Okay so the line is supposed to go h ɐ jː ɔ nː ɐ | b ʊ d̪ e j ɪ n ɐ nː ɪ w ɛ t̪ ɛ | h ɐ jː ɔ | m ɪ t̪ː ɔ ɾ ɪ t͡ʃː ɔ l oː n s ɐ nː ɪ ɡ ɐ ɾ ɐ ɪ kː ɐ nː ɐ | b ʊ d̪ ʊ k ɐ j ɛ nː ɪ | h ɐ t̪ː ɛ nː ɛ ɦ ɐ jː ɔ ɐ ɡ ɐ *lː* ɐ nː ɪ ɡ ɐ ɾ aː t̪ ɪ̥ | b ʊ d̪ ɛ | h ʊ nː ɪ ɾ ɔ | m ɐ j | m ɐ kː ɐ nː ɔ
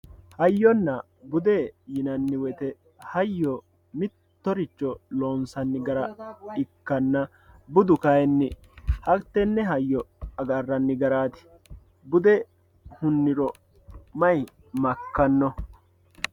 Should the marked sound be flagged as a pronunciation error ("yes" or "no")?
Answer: yes